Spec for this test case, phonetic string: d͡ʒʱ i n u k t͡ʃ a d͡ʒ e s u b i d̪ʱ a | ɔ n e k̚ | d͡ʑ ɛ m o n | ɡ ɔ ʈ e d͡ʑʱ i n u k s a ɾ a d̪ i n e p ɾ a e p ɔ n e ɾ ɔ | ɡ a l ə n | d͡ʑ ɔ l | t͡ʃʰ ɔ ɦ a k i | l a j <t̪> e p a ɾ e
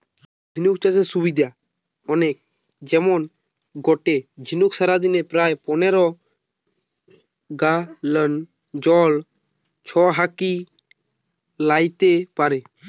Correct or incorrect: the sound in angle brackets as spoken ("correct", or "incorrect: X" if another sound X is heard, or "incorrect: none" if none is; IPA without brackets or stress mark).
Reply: correct